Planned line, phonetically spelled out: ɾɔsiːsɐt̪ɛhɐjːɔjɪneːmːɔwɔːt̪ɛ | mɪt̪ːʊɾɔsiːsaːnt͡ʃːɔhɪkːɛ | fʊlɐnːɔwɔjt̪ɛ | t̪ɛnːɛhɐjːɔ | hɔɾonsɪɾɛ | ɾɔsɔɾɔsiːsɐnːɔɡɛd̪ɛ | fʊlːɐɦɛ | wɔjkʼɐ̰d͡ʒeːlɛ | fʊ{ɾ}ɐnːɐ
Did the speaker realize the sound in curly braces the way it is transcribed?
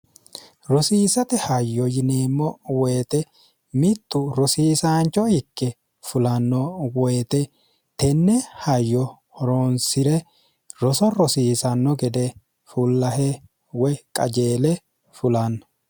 no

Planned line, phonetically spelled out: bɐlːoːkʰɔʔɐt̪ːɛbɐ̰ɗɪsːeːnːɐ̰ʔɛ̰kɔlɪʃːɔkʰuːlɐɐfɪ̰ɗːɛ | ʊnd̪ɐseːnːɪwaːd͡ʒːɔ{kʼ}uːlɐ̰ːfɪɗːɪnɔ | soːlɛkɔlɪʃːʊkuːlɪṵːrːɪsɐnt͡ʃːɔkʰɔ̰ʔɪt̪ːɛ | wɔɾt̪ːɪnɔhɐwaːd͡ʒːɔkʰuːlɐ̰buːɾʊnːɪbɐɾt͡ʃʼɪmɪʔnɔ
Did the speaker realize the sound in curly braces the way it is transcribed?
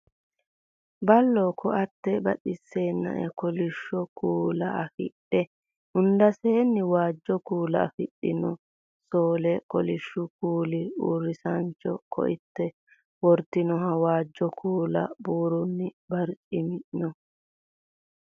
no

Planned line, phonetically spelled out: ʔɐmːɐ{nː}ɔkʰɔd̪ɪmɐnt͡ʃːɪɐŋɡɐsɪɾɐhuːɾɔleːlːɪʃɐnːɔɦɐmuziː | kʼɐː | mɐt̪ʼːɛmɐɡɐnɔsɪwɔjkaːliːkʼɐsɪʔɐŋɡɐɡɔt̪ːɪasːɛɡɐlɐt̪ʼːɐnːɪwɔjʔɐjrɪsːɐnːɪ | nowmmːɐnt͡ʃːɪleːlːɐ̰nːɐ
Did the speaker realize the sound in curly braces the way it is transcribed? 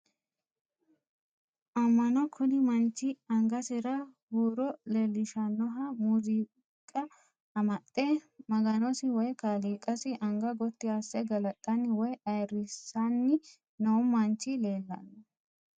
no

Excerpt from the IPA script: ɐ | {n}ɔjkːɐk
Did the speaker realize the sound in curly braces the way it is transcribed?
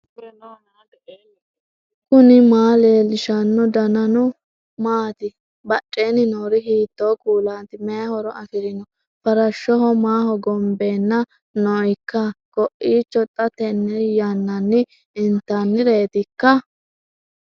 yes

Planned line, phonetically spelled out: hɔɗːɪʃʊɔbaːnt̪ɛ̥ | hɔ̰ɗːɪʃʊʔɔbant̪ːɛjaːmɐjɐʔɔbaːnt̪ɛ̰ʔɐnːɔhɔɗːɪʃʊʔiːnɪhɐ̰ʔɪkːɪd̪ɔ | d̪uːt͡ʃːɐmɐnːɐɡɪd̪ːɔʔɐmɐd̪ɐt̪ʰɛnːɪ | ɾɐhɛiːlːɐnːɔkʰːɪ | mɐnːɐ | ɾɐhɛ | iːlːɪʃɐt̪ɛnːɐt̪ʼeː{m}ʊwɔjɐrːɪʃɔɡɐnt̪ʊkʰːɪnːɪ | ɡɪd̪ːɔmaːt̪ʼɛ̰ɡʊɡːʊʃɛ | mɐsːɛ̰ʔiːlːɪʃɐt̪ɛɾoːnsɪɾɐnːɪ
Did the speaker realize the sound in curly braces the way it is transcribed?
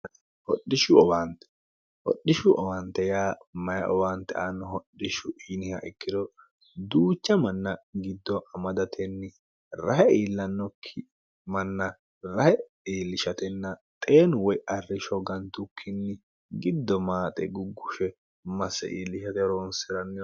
no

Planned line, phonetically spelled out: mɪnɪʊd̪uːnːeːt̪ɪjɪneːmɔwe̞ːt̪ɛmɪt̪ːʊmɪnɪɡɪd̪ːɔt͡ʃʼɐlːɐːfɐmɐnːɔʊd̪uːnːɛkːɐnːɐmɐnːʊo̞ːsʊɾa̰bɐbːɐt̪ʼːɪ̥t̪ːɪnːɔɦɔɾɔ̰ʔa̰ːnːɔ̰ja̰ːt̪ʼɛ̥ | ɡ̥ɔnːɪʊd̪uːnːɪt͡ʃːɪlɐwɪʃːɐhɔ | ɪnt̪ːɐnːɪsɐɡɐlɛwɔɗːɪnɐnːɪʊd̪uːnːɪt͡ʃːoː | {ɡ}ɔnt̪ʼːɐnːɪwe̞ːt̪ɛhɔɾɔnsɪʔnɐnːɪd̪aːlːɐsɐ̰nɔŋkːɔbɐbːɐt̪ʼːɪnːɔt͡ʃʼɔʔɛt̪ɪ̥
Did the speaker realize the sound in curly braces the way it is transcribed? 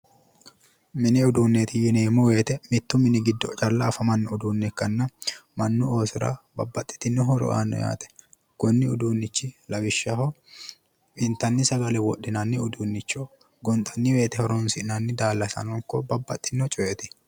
yes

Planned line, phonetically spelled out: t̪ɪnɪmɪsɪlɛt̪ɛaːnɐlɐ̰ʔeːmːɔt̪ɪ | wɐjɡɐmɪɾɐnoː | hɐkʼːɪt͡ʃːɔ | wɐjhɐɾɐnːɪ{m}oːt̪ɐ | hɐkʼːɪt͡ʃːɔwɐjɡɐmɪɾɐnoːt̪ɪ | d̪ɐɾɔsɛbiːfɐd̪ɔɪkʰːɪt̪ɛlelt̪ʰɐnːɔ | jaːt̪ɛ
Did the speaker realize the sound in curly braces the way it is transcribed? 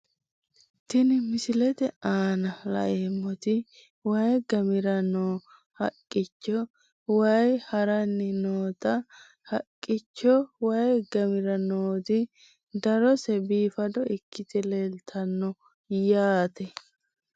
no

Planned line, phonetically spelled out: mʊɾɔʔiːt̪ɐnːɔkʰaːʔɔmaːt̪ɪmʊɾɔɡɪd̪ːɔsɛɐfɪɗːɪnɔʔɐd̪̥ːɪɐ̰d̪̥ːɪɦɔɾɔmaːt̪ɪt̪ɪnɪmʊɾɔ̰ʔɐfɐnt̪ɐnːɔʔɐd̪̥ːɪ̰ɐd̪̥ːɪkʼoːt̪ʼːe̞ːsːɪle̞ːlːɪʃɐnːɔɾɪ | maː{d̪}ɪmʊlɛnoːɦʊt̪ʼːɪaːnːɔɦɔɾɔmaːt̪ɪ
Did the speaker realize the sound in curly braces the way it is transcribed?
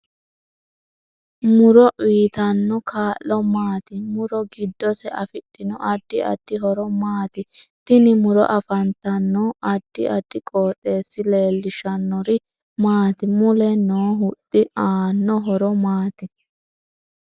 no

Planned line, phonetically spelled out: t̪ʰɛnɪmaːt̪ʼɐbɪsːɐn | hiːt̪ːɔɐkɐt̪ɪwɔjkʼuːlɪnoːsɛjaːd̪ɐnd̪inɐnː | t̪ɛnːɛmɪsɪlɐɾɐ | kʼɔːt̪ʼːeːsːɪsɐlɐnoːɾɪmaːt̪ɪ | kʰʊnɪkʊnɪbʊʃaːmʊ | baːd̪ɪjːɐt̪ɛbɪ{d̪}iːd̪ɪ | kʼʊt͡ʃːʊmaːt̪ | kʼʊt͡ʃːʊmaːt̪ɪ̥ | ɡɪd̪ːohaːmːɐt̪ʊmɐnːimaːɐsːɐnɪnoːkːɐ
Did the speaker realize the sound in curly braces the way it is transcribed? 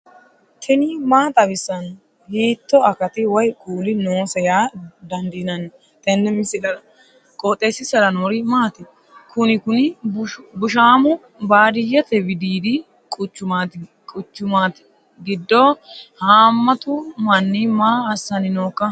yes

